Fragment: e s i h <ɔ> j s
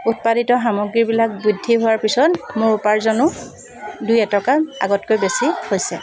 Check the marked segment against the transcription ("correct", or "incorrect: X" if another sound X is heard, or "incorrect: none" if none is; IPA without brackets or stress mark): incorrect: o